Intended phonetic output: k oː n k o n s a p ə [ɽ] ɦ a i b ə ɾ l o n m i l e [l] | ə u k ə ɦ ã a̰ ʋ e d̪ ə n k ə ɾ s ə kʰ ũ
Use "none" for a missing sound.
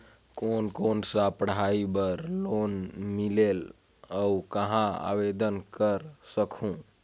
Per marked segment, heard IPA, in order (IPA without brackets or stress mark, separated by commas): ɽ, l